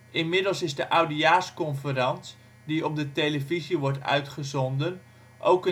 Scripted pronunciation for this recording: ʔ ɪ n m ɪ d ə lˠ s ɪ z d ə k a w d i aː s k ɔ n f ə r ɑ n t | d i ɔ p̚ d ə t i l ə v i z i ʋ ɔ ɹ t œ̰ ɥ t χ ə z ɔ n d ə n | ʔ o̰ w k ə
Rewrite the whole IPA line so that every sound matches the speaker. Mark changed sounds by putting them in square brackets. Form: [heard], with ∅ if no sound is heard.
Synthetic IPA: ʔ ɪ n m ɪ d ə lˠ s ɪ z d ə [ʔ] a w d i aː s k ɔ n f ə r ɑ n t | d i ɔ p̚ d ə t [e] l ə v i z i ʋ ɔ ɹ t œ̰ ɥ t χ ə z ɔ n d ə n | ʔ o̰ w k ə